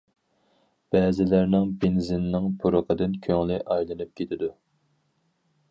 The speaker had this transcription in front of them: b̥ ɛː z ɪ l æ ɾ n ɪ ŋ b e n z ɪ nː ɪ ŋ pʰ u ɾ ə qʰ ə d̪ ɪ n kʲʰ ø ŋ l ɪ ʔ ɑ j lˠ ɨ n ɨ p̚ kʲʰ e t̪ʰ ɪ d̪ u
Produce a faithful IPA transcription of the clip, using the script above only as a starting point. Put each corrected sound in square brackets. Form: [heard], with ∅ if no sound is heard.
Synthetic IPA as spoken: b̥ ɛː z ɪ l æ ɾ n ɪ ŋ b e n z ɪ nː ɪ ŋ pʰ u ɾ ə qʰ ə d̪ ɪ n kʲʰ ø ŋ l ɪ ʔ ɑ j lˠ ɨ n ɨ p̚ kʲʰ e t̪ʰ ɪ d̪ u